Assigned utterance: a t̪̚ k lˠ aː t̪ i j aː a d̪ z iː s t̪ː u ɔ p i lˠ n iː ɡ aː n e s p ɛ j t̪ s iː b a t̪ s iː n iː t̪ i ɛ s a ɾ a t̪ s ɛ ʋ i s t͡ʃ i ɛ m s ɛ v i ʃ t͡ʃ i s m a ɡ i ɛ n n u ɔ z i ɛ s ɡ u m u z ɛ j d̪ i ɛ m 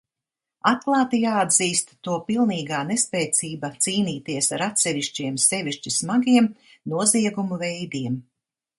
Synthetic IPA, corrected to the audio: a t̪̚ k lˠ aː t̪ i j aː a d̪ z iː s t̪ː u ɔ p i lˠ n iː ɡ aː n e s p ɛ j t̪ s iː b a t̪ s iː n iː t̪ i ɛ s a ɾ a t̪ s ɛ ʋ i ʃ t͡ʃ i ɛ m s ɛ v i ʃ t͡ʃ i s m a ɡ i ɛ m n u ɔ z i ɛ ɡ u m u v ɛ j d̪ i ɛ m